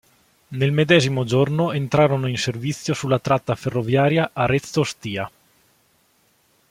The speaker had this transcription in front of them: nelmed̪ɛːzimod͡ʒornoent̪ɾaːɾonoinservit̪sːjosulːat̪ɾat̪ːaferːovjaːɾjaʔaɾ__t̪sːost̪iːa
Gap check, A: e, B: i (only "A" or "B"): A